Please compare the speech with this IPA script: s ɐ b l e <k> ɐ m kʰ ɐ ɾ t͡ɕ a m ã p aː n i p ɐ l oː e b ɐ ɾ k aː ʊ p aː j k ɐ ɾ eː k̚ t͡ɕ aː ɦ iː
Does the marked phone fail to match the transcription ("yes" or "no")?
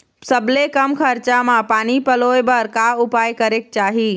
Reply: no